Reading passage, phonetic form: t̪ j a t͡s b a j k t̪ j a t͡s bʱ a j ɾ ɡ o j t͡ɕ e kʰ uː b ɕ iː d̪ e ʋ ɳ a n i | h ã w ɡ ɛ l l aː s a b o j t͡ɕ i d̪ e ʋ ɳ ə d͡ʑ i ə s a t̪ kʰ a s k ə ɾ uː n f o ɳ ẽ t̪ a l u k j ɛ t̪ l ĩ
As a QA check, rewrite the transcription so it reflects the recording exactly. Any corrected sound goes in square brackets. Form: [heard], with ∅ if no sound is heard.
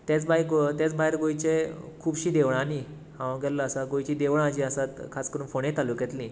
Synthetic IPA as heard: t̪ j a t͡s b a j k t̪ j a t͡s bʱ a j ɾ ɡ o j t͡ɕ e kʰ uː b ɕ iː d̪ e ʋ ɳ a n i | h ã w ɡ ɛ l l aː s a [ɡ] o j t͡ɕ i d̪ e ʋ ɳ [a] d͡ʑ i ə s a t̪ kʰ a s k ə ɾ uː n f o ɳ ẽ t̪ a l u k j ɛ t̪ l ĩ